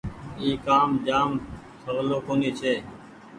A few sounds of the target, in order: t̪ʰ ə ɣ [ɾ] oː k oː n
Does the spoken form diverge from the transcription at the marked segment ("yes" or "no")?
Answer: yes